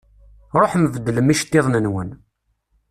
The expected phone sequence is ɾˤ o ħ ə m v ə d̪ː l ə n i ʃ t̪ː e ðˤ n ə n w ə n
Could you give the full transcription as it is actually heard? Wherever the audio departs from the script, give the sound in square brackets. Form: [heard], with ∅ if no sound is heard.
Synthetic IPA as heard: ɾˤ o ħ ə m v ə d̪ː l ə [m] i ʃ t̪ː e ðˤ n ə n w ə n